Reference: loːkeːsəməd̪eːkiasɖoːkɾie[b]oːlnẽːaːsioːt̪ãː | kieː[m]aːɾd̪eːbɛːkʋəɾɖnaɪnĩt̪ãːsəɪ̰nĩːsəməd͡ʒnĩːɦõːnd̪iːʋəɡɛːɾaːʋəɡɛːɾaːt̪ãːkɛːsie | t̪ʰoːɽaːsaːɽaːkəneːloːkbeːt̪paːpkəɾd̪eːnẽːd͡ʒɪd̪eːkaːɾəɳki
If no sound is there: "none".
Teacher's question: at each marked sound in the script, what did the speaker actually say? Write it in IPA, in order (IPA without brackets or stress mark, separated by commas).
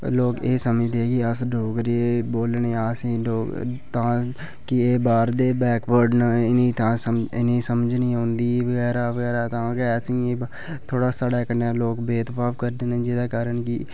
b, b